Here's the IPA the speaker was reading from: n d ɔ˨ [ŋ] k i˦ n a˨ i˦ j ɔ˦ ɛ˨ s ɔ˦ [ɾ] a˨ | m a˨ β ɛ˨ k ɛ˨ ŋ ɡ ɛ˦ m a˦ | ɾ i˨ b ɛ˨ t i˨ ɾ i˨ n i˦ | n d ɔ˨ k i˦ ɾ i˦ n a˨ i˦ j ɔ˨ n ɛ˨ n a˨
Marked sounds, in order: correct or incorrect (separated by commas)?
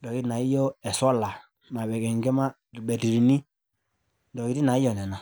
incorrect, incorrect